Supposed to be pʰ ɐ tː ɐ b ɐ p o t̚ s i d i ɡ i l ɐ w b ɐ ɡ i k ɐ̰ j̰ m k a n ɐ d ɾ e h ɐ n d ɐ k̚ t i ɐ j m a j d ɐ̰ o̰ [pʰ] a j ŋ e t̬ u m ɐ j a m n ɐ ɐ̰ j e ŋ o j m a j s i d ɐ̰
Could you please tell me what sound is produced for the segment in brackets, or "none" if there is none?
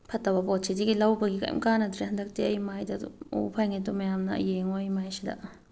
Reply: pʰ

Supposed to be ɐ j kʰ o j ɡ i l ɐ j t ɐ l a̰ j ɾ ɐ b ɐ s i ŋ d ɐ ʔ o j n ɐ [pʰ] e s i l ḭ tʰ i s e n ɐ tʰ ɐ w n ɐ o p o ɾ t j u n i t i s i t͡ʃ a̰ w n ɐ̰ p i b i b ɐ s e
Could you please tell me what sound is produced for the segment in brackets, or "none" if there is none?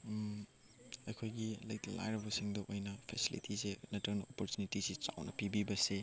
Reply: pʰ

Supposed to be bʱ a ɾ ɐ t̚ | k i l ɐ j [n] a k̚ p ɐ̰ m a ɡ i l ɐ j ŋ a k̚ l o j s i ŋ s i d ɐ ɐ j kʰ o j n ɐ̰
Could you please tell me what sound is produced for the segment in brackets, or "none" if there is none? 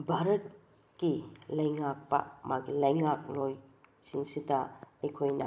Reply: ŋ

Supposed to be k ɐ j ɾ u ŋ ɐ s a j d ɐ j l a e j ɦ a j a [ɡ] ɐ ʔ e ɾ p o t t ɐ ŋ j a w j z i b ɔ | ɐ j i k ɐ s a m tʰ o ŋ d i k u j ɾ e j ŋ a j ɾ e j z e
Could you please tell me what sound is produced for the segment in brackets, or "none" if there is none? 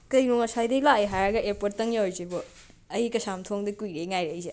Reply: ɡ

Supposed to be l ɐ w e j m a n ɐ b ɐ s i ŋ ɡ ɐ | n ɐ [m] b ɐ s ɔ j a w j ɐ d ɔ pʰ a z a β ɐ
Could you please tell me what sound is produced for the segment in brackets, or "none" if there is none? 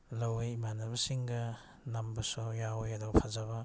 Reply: m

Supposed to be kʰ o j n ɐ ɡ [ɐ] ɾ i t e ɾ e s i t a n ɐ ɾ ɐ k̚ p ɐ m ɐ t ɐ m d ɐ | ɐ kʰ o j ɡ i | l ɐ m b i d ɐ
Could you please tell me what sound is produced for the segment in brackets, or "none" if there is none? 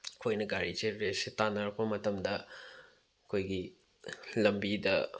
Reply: a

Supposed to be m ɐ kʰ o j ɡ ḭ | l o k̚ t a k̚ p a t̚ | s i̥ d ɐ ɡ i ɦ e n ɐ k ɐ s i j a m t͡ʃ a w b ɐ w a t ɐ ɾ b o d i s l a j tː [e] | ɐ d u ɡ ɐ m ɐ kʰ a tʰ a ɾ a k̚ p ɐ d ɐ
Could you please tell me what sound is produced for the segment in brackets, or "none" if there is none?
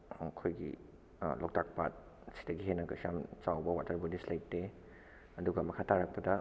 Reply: e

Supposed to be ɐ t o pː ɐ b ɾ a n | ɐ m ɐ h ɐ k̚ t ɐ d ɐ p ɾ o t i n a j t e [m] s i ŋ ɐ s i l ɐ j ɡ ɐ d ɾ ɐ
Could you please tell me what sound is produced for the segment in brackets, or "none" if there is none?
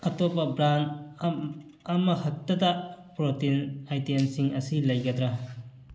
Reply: n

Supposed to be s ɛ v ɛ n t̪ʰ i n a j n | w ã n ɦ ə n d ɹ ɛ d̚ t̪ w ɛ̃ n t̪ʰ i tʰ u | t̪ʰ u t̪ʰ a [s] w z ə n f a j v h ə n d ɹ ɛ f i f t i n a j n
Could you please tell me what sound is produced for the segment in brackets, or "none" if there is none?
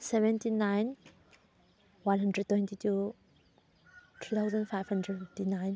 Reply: none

